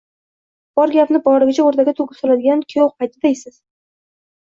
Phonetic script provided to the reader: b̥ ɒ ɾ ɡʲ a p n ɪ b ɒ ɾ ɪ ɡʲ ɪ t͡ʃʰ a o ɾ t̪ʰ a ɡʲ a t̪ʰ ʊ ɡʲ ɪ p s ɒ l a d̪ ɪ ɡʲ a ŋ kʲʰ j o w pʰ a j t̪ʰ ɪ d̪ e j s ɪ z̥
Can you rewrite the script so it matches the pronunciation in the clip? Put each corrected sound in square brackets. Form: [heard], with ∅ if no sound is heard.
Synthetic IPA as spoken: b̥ ɒ ɾ ɡʲ a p n ɪ b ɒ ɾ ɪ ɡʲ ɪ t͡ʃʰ a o ɾ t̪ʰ a ɡʲ a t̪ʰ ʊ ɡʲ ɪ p s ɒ l a d̪ ɪ ɡʲ a [n] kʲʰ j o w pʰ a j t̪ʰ ɪ d̪ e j s ɪ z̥